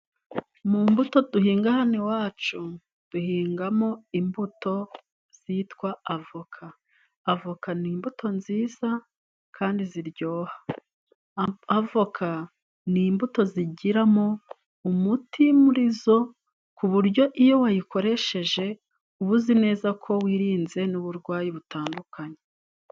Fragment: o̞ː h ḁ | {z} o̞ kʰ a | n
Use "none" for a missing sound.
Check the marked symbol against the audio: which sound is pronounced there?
v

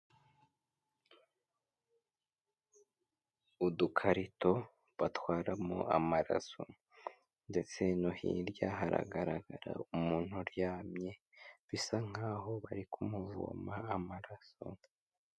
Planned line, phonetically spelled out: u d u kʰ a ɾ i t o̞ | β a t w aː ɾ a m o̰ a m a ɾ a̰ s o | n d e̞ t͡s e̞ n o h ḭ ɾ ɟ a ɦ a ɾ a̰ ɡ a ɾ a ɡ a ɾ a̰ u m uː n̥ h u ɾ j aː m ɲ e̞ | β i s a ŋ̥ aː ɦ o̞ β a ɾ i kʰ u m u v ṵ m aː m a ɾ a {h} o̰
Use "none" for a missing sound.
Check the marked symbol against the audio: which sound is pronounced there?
s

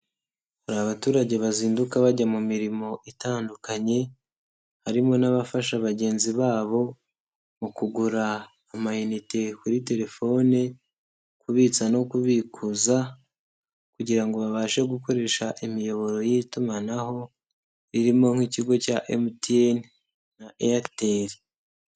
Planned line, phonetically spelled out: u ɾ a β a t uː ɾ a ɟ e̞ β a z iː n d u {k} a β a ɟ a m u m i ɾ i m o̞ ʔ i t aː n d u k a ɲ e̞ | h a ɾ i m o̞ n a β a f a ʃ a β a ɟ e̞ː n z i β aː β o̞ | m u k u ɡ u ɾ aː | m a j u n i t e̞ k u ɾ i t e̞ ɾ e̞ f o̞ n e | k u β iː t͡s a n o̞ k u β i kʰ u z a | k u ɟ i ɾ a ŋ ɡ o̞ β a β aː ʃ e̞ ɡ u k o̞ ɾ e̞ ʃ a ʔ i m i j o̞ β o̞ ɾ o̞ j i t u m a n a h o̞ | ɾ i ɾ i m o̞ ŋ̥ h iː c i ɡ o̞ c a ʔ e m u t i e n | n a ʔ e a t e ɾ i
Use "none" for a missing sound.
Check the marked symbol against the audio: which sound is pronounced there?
k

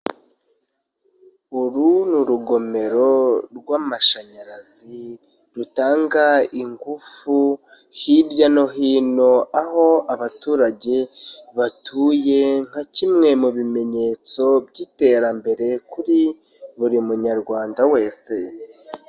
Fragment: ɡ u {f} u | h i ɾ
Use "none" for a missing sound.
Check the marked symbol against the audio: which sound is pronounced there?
f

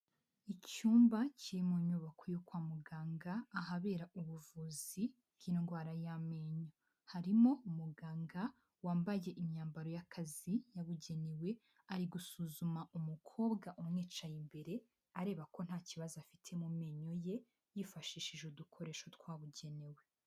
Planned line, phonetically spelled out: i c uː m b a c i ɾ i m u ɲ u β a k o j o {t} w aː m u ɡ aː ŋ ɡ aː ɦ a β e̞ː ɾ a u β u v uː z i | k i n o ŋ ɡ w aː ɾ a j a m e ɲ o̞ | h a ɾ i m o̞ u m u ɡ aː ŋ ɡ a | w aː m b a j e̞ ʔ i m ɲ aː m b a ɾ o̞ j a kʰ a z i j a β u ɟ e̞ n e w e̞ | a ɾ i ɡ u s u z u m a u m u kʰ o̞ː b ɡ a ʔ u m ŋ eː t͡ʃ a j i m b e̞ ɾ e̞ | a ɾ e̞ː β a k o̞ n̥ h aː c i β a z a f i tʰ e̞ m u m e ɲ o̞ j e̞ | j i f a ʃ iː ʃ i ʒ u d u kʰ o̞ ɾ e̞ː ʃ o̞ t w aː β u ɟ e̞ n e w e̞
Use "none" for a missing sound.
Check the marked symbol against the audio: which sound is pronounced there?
k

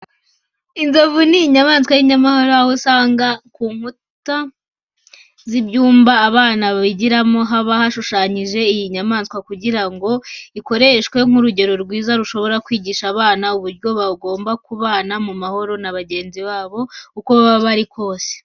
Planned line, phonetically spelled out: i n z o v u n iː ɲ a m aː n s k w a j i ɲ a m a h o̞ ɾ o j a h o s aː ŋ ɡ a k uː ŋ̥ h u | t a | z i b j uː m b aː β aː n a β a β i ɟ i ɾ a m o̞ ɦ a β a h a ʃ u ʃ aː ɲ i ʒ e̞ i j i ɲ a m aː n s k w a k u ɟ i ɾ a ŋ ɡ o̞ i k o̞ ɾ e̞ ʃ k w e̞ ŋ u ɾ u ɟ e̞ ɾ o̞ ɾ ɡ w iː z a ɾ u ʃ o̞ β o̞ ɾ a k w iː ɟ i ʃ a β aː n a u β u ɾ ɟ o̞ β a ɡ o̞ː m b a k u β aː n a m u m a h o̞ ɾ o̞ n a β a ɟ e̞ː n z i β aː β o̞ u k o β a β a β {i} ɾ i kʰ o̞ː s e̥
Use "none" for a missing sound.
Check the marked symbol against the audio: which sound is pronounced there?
a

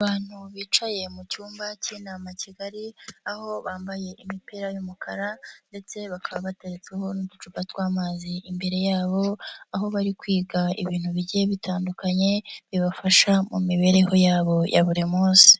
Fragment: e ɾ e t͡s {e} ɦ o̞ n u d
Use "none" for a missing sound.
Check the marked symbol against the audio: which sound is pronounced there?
e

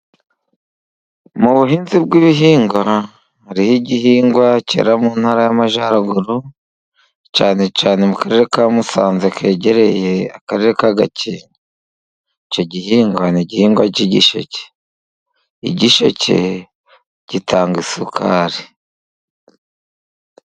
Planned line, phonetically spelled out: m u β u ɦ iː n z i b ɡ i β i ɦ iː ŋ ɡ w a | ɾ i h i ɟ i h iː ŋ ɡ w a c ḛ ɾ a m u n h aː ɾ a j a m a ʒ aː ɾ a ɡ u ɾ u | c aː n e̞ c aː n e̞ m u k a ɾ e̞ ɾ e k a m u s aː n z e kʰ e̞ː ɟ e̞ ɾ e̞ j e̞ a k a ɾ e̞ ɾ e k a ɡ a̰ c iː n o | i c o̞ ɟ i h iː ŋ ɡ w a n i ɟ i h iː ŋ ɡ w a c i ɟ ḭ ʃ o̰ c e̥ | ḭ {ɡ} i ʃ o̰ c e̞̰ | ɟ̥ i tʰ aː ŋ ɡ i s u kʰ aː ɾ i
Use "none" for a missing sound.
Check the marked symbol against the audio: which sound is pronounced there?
ɟ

